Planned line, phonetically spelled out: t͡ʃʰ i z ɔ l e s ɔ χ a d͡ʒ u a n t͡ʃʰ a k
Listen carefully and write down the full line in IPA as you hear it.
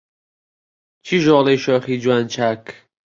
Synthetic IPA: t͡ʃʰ i ʒ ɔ l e ʃ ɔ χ i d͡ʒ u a n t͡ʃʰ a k

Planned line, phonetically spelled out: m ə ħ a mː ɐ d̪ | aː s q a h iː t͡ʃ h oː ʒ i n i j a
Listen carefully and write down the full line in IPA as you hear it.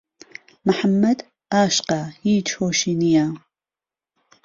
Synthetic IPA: m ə ħ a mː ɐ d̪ | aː ʃ q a h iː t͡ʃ h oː ʃ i n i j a

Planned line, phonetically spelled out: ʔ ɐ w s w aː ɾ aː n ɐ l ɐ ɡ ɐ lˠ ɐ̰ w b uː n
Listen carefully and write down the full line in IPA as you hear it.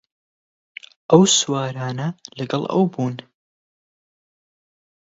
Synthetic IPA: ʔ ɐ w s w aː ɾ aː n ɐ l ɐ ɡ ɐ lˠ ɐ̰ w b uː n

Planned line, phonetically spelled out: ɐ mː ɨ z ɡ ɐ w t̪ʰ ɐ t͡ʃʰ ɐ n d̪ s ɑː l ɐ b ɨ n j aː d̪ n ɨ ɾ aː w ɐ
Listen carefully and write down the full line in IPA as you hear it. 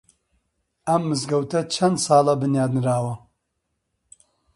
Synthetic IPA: ɐ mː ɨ z ɡ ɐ w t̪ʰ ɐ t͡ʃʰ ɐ n d̪ s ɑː l ɐ b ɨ n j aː d̪ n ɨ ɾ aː w ɐ

